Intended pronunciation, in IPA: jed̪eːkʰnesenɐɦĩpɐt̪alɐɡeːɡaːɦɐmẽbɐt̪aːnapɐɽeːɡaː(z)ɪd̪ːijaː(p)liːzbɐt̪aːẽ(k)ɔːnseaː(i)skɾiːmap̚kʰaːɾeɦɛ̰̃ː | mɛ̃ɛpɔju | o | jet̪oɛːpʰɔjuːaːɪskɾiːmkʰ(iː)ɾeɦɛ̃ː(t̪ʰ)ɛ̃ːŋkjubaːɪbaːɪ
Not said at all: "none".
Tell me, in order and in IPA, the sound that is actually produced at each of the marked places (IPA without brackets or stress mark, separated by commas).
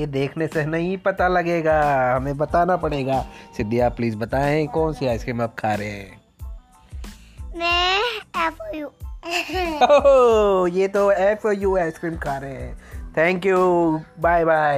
s, p, k, ɪ, aː, t̪ʰ